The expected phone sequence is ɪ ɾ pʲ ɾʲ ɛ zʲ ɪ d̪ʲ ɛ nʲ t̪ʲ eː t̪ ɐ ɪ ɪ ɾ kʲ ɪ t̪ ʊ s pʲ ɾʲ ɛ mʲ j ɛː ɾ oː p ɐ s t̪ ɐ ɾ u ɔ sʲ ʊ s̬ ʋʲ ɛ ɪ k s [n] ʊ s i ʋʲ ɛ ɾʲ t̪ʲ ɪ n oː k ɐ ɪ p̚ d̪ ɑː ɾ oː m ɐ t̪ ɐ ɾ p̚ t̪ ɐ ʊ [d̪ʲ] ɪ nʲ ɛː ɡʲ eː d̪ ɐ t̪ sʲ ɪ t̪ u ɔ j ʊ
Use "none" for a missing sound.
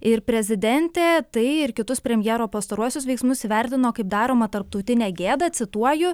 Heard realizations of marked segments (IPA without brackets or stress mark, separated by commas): m, t̪ʲ